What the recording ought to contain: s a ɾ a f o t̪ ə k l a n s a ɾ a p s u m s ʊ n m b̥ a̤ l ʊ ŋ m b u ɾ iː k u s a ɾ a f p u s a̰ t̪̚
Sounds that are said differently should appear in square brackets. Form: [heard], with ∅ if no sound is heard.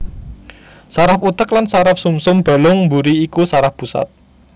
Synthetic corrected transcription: s a ɾ a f [u] t̪ ə k l a n s a ɾ a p s u m s ʊ [∅] m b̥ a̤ l ʊ ŋ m b u ɾ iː k u s a ɾ a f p u s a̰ t̪̚